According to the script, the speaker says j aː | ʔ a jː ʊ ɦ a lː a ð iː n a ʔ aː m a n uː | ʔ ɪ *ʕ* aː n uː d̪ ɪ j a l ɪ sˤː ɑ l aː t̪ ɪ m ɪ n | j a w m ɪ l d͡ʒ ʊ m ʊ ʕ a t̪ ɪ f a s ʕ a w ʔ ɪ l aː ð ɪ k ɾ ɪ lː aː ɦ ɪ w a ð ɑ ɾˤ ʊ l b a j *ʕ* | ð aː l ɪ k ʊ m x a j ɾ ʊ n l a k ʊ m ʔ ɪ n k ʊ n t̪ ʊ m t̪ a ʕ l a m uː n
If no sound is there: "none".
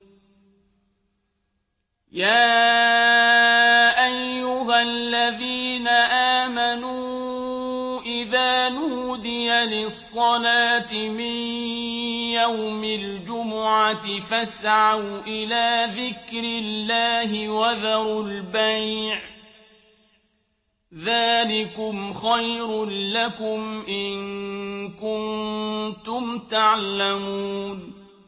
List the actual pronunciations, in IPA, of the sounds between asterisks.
ð, ʕ

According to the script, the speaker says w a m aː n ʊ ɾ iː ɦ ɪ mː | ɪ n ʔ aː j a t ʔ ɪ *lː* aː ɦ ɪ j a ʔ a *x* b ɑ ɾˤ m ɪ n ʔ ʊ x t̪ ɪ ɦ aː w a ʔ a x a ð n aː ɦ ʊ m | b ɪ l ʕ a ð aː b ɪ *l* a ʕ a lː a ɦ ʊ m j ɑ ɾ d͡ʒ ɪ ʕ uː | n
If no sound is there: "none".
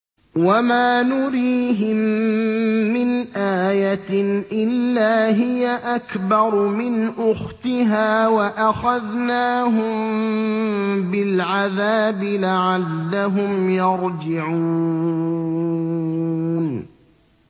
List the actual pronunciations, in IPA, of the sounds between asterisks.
lː, k, l

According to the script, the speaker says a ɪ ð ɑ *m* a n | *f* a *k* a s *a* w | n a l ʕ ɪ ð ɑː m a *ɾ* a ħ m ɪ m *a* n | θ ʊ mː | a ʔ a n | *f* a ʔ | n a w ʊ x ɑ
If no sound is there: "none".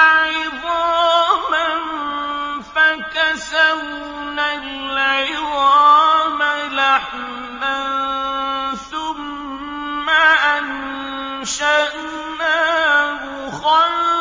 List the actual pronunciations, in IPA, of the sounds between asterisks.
m, f, k, a, l, a, ʃ

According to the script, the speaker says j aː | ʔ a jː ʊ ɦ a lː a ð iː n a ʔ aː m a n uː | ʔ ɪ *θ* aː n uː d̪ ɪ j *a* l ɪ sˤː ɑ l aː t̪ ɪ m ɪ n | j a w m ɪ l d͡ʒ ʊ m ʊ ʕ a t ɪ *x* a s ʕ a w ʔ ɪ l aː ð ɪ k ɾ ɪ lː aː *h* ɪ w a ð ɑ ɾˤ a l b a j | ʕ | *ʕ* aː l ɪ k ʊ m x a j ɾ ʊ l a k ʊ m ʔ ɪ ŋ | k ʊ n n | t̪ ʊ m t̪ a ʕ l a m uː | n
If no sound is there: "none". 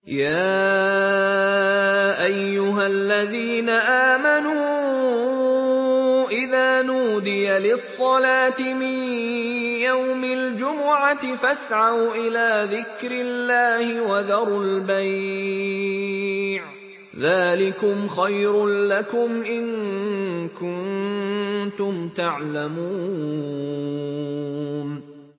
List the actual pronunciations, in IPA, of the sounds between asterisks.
ð, a, f, h, ð

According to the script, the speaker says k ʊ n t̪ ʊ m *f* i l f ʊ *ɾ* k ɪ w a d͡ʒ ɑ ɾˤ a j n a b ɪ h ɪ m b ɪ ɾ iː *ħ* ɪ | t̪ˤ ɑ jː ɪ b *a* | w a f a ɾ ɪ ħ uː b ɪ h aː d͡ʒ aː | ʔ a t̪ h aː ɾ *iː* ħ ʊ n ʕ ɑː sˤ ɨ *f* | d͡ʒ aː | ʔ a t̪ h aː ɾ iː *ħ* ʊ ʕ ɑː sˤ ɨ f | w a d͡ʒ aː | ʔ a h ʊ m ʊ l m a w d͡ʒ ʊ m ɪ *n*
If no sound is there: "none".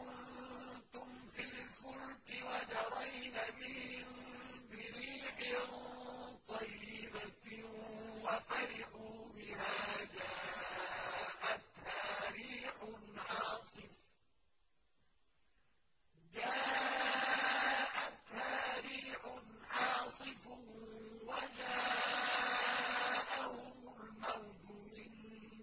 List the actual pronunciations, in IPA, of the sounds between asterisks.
f, l, ħ, a, iː, f, ħ, n

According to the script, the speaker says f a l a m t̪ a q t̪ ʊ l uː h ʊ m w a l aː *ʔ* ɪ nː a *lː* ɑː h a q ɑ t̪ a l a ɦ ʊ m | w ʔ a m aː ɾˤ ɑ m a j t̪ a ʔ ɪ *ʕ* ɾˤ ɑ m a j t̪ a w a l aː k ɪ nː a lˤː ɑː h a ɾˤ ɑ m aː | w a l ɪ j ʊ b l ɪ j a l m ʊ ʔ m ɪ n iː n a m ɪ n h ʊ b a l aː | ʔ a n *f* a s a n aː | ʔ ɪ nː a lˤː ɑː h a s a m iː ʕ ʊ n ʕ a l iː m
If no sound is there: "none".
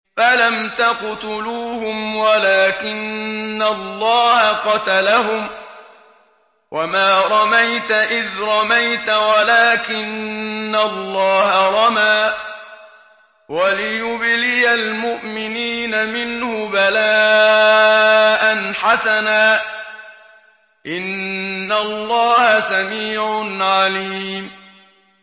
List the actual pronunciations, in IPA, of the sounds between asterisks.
k, lː, ð, ħ

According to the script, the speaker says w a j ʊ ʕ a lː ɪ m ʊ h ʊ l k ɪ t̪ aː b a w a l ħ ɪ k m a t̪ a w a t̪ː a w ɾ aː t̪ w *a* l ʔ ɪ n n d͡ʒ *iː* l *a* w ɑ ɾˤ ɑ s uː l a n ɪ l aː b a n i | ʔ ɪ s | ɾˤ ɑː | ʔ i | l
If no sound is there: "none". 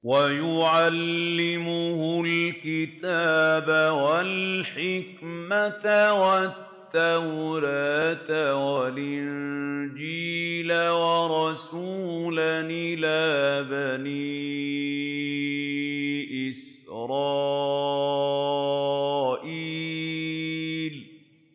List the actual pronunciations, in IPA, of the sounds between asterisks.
a, iː, a

